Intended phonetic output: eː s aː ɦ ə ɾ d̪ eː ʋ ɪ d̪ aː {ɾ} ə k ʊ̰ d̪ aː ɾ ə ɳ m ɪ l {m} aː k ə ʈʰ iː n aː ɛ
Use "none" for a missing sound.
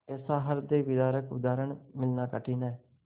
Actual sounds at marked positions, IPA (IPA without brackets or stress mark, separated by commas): ɾ, n